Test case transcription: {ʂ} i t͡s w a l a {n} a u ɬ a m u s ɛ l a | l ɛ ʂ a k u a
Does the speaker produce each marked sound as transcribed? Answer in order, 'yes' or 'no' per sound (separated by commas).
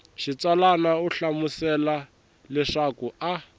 no, yes